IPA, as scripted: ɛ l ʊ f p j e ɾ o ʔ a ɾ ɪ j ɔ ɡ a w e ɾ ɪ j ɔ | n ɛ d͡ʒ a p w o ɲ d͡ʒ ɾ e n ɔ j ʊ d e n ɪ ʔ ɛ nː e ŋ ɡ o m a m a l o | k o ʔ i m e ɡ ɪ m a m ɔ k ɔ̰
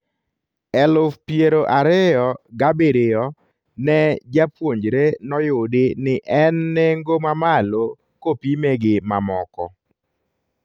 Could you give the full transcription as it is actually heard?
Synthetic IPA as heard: ɛ l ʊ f p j e ɾ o ʔ a ɾ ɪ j ɔ ɡ a b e ɾ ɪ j ɔ | n ɛ d͡ʒ a p w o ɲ d͡ʒ ɾ e n ɔ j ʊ d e n ɪ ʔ ɛ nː e ŋ ɡ o m a m a l o | k o p i m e ɡ ɪ m a m ɔ k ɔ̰